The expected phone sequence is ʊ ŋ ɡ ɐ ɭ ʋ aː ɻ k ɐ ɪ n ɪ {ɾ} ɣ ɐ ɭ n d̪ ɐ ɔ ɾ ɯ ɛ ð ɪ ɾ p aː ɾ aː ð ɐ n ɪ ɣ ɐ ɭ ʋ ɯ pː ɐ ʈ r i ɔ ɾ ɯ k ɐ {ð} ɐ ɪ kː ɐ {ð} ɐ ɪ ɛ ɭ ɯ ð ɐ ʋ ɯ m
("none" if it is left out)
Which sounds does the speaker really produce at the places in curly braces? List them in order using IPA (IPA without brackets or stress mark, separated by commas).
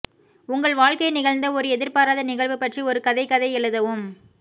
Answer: none, ð, ð